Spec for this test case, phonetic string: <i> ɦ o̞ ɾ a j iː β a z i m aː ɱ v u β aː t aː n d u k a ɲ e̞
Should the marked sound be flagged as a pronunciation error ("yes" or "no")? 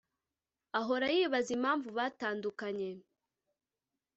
yes